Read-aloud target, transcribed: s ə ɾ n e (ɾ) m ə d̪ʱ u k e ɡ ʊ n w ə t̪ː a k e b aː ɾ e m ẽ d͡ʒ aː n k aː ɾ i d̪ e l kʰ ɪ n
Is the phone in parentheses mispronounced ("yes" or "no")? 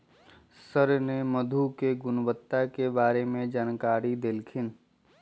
yes